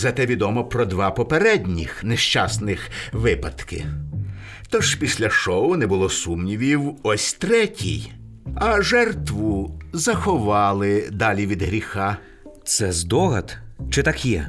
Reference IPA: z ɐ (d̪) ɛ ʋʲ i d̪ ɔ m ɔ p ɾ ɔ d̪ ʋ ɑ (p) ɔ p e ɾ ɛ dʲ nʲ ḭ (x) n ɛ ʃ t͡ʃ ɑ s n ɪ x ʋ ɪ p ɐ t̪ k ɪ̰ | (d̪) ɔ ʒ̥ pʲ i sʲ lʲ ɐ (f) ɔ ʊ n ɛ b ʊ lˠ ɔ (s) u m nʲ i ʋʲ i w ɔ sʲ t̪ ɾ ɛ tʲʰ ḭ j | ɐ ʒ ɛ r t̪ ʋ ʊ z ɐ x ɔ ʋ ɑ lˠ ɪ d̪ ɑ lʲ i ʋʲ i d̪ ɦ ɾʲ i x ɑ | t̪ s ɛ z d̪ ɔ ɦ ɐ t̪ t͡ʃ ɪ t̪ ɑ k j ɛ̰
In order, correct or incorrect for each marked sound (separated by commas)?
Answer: incorrect, correct, correct, incorrect, incorrect, correct